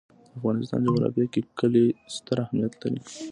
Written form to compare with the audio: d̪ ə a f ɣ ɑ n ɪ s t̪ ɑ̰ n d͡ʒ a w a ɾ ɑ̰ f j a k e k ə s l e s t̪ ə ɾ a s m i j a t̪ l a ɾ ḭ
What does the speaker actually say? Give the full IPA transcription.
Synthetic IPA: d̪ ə a f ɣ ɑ n ɪ s t̪ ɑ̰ n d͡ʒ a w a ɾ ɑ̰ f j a k e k ə l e s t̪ ə ɾ a h m i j a t̪ l a ɾ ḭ